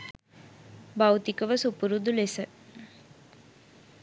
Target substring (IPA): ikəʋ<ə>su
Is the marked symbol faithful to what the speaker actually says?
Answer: yes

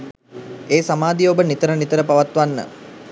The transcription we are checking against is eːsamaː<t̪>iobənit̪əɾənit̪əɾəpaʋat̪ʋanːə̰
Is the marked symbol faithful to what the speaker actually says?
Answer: no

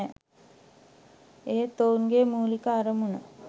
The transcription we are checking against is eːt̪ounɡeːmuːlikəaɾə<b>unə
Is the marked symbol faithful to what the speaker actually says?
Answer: no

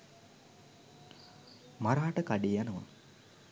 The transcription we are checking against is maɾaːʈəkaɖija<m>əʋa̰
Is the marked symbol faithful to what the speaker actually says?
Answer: no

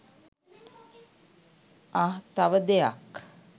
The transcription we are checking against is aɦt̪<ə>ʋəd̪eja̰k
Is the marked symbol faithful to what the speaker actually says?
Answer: no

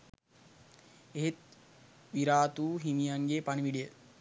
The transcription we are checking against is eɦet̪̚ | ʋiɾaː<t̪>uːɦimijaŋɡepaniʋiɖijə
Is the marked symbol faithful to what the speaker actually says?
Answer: yes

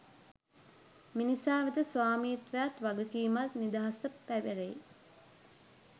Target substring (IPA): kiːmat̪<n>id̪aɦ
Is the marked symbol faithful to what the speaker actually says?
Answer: yes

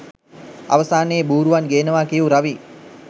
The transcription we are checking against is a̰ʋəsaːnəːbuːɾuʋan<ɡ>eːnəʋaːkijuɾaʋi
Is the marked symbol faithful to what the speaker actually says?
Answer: yes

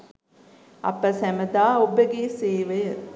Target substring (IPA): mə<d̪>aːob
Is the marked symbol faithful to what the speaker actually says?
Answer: yes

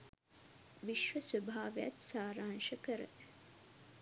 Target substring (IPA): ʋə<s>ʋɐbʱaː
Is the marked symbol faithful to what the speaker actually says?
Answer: yes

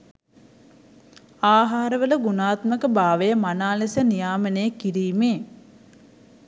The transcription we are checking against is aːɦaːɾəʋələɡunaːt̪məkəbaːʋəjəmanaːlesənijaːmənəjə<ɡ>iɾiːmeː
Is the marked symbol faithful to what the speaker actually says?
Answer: no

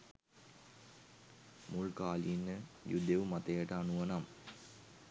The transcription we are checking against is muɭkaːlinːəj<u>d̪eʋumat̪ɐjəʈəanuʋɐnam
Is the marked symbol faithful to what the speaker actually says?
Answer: yes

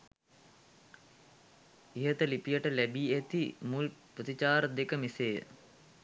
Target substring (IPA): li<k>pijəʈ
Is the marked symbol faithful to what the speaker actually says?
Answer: no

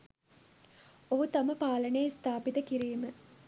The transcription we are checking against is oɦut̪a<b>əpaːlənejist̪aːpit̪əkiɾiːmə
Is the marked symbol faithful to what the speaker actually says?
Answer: no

